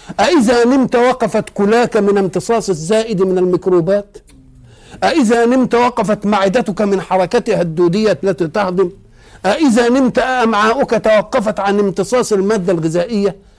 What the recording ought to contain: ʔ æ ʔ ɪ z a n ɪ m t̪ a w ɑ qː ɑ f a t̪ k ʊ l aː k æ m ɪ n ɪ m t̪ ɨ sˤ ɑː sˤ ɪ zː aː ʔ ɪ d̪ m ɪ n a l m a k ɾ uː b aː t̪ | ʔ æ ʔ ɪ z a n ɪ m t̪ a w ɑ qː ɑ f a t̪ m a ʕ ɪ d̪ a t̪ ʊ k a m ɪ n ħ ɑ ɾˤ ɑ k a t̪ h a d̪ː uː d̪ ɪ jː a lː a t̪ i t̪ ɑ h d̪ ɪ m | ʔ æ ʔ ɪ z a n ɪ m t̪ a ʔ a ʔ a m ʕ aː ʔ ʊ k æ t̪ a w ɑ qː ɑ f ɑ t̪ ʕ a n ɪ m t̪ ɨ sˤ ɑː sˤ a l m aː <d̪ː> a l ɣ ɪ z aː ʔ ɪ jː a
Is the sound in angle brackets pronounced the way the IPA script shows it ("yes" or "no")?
yes